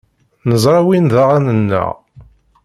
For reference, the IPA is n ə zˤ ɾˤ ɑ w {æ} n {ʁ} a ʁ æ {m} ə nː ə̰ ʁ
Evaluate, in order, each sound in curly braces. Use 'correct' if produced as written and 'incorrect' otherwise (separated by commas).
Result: incorrect, incorrect, incorrect